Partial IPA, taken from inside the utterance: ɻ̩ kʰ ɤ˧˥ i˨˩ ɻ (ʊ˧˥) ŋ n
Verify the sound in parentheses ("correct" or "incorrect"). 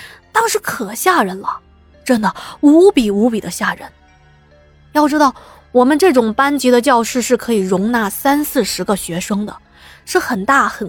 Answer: correct